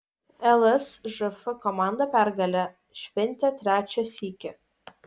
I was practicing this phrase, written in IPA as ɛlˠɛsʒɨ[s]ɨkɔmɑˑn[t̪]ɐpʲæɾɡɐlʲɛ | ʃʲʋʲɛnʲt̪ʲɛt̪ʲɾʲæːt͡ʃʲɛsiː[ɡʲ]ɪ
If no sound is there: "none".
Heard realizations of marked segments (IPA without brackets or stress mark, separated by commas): f, d̪, kʲ